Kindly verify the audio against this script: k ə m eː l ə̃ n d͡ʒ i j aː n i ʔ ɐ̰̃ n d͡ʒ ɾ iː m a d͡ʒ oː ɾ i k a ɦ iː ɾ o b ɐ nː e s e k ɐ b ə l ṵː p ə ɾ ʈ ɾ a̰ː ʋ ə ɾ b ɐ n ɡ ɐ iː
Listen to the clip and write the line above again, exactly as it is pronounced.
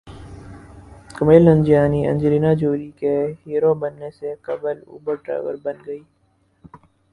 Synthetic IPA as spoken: k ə m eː l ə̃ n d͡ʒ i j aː n i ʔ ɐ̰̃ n d͡ʒ ɾ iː n a d͡ʒ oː ɾ i k e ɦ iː ɾ o b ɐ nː e s e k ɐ b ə l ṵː b ə ɾ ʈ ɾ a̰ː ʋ ə ɾ b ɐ n ɡ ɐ iː

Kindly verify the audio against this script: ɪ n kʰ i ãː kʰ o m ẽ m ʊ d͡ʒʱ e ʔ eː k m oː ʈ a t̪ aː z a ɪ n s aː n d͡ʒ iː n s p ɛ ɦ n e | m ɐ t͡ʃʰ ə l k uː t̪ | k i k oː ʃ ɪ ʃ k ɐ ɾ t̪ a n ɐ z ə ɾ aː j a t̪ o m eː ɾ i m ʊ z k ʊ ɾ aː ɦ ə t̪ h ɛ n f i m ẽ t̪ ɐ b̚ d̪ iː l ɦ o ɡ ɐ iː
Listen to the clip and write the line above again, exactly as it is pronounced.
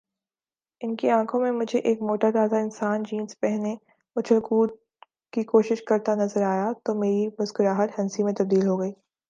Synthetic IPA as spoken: ɪ n k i ãː kʰ õ m ẽ m ʊ d͡ʒʱ e ʔ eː k m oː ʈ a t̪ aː z a ɪ n s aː n d͡ʒ iː n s p ɛ ɦ n e | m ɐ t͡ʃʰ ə l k uː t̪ | k i k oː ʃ ɪ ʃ k ɐ ɾ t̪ a n ɐ z ə ɾ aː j a t̪ o m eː ɾ i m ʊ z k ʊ ɾ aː ɦ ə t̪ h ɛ n s i m ẽ t̪ ɐ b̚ d̪ iː l ɦ o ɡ ɐ iː

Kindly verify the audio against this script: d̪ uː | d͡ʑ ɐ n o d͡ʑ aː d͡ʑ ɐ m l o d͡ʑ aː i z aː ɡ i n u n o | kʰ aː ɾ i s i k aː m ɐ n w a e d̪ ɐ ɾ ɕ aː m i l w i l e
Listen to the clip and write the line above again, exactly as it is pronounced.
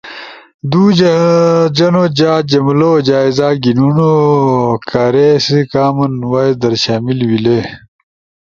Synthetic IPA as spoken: d̪ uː | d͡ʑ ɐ n o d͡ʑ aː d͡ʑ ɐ m l o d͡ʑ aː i z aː ɡ i n u n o | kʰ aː ɾ e s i k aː m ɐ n w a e d̪ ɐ ɾ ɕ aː m i l w i l e

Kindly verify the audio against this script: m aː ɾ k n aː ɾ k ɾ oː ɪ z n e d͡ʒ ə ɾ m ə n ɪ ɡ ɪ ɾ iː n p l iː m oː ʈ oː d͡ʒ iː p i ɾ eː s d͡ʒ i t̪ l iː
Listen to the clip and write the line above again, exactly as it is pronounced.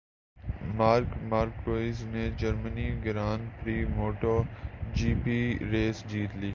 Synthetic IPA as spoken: m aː ɾ k m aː ɾ k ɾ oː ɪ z n e d͡ʒ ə ɾ m ə n i ɡ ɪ ɾ aː n p ɾ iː m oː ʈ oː d͡ʒ iː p i ɾ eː s d͡ʒ iː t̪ l iː

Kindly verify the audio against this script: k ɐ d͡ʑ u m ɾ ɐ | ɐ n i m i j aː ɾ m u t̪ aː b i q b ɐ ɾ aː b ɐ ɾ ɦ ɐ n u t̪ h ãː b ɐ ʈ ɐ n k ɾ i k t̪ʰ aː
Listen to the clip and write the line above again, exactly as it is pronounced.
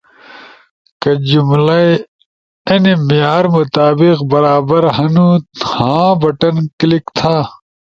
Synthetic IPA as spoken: k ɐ d͡ʑ u m l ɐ | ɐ n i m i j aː ɾ m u t̪ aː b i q b ɐ ɾ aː b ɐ ɾ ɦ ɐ n u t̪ h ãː b ɐ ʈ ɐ n k l i k t̪ʰ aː

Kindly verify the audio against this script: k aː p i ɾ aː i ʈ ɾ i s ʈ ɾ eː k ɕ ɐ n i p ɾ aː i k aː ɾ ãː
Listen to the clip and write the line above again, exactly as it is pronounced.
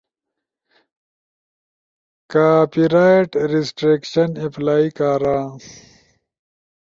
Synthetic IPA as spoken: k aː p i ɾ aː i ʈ ɾ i s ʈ ɾ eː k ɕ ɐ n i p l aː i k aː ɾ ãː

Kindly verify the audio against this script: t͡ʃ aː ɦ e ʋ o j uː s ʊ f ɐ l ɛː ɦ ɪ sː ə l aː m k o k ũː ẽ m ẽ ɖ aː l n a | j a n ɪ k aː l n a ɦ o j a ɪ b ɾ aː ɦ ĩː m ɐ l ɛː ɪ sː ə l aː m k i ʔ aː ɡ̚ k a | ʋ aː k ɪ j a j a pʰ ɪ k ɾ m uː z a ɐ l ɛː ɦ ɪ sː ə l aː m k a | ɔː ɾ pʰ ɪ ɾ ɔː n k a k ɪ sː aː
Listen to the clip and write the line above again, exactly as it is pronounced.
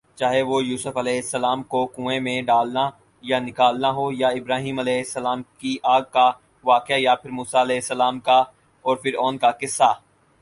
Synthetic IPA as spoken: t͡ʃ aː ɦ e ʋ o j uː s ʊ f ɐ l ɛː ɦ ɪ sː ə l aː m k o k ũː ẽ m ẽ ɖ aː l n a | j a n ɪ k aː l n a ɦ o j a ɪ b ɾ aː ɦ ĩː m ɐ l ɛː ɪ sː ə l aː m k i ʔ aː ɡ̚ k a | ʋ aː k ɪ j a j a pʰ ɪ ɾ m uː s a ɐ l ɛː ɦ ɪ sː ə l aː m k a | ɔː ɾ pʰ ɪ ɾ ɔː n k a k ɪ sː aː

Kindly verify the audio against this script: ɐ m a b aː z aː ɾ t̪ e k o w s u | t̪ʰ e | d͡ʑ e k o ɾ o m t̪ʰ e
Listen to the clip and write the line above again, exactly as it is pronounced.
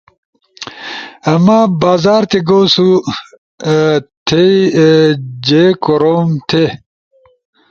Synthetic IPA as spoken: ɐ m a b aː z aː ɾ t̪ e ɡ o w s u | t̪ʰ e | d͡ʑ e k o ɾ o m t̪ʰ e

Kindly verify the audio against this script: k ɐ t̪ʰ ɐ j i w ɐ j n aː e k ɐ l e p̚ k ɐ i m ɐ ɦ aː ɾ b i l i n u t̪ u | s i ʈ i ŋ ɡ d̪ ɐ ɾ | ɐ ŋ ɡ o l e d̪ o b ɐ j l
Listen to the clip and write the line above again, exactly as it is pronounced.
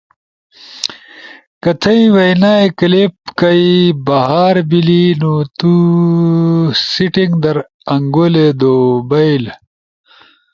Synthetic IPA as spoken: k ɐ t̪ʰ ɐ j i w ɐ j n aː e k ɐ l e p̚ k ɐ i b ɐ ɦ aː ɾ b i l i n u t̪ u | s i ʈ i ŋ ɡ d̪ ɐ ɾ | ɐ ŋ ɡ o l e d̪ o b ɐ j l

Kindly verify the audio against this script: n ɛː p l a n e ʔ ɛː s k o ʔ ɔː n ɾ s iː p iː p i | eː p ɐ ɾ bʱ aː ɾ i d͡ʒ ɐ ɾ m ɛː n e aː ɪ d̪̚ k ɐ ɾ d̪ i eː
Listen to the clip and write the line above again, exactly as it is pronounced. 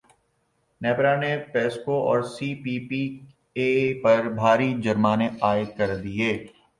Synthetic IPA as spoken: n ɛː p ɾ a n e p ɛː s k o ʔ ɔː ɾ s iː p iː p i | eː p ɐ ɾ bʱ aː ɾ i d͡ʒ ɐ ɾ m aː n e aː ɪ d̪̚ k ɐ ɾ d̪ i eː

